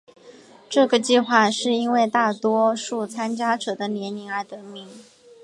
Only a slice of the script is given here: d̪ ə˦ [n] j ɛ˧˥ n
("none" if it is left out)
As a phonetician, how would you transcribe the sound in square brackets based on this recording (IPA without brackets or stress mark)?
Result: n